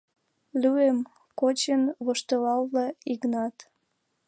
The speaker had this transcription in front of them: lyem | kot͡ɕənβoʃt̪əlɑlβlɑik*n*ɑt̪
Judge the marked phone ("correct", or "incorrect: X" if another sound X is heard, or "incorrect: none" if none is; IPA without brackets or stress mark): correct